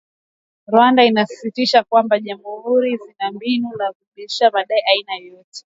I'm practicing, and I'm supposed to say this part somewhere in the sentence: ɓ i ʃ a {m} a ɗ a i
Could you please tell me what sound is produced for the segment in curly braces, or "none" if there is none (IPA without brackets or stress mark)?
m